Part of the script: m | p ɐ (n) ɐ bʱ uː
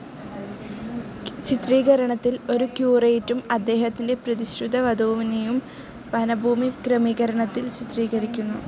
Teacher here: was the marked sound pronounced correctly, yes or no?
yes